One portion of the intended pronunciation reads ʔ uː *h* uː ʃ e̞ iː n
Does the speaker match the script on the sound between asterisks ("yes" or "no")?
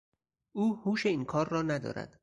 yes